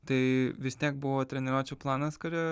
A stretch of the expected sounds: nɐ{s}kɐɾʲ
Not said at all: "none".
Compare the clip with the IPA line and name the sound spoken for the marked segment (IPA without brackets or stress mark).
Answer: s